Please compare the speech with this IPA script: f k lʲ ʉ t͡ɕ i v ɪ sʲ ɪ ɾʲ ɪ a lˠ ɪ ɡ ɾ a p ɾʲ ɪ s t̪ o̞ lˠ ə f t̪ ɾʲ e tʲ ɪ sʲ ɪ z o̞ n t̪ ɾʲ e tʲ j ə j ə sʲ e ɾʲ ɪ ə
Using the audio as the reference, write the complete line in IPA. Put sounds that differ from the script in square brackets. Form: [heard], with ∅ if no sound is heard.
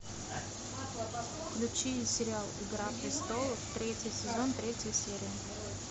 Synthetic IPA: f k lʲ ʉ t͡ɕ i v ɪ sʲ ɪ ɾʲ ɪ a lˠ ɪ ɡ ɾ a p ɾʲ ɪ s t̪ o̞ lˠ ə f t̪ ɾʲ e tʲ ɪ sʲ ɪ z o̞ n t̪ ɾʲ e tʲ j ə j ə sʲ e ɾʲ ɪ ə